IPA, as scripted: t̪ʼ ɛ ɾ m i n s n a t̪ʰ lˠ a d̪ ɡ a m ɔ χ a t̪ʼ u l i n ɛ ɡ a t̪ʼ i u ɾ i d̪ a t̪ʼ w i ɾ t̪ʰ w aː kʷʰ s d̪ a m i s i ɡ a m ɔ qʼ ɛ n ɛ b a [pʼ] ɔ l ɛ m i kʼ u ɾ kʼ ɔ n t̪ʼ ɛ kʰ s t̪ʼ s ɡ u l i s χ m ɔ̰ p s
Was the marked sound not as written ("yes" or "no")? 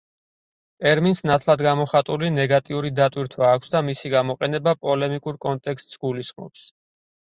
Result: no